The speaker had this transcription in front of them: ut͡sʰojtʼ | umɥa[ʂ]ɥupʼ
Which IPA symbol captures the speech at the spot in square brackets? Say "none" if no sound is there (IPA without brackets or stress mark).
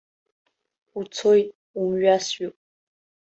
s